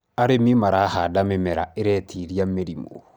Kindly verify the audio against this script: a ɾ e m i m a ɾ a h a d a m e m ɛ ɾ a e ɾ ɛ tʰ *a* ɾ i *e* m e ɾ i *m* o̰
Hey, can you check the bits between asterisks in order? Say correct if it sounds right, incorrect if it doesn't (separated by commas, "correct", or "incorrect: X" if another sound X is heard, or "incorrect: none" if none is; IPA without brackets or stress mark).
incorrect: i, incorrect: a, correct